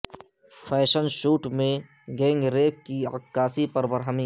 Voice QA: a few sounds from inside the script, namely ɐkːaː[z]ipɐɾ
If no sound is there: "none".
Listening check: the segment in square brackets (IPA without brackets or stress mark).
s